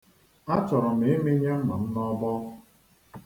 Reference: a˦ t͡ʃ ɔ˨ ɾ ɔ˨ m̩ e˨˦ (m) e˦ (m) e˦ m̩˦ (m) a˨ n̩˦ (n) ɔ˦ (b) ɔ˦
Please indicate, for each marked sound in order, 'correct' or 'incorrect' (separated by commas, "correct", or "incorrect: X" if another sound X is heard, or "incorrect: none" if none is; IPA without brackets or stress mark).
correct, incorrect: ɲ, correct, correct, correct